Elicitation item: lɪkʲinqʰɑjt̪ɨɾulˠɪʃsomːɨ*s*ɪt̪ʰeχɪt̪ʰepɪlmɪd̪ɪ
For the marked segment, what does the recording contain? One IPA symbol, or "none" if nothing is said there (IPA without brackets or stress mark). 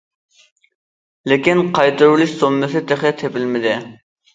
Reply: s